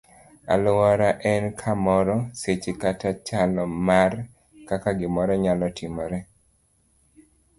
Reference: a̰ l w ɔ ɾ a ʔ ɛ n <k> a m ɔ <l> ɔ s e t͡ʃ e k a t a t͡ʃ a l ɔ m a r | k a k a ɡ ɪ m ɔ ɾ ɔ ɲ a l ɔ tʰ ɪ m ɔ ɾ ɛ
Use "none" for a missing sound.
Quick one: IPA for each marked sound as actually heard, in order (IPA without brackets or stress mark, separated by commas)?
kʰ, ɾ